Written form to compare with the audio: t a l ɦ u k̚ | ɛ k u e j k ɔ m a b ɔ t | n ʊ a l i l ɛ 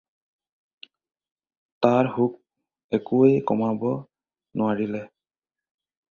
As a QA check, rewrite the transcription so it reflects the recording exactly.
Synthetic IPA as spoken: t a ɹ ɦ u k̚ | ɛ k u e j k ɔ m a b ɔ | n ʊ a ɹ i l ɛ